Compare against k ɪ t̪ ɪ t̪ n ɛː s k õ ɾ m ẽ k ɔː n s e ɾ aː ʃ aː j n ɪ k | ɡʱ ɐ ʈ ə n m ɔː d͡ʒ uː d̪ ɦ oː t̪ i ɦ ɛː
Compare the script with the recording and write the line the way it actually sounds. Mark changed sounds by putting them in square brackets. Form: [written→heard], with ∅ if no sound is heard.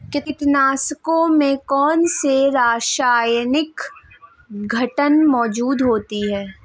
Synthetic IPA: k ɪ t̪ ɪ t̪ n [ɛː→aː] s k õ [ɾ→∅] m ẽ k ɔː n s e ɾ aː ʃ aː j n ɪ k | ɡʱ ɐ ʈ ə n m ɔː d͡ʒ uː d̪ ɦ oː t̪ i ɦ ɛː